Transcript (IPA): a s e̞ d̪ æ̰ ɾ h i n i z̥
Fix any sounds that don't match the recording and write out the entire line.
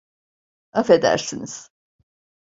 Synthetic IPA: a f e̞ d̪ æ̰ ɾ s i n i z̥